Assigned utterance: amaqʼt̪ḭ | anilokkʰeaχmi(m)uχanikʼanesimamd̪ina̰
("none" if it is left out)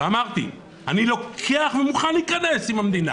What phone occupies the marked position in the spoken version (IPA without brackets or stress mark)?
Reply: m